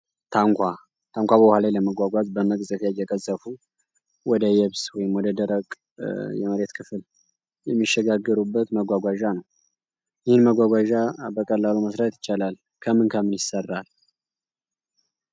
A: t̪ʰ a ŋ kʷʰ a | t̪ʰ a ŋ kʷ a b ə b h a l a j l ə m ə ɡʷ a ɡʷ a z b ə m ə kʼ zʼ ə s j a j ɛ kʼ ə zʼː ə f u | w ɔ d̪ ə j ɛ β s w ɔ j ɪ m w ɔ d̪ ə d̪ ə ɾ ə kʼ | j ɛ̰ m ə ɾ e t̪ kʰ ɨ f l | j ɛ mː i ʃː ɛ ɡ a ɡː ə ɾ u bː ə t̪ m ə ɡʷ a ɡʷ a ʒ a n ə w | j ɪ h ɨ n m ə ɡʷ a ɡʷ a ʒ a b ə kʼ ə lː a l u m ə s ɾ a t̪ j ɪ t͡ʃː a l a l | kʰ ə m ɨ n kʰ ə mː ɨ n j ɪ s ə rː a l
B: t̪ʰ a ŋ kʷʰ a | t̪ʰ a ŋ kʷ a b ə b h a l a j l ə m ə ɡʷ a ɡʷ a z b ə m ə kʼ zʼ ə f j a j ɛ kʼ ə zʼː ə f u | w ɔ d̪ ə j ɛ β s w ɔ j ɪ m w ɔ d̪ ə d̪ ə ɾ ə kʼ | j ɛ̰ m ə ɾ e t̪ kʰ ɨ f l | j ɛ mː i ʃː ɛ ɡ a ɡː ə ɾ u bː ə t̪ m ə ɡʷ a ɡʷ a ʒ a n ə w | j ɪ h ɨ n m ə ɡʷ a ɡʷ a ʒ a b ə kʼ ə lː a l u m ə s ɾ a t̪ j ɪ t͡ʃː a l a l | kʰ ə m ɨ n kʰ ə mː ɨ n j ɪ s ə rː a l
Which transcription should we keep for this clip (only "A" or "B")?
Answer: B